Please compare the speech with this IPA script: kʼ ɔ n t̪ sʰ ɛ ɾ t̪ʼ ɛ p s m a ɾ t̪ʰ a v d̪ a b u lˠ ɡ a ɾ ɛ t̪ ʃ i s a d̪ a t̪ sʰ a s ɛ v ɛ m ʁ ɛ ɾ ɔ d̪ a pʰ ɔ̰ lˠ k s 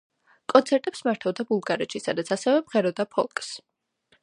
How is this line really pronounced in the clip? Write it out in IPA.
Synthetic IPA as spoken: kʼ ɔ n t̪ sʰ ɛ ɾ t̪ʼ ɛ p s m a ɾ t̪ʰ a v d̪ a b u lˠ ɡ a ɾ ɛ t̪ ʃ i s a d̪ a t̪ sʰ a s ɛ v ɛ m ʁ ɛ ɾ ɔ d̪ a pʰ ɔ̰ lˠ kʼ s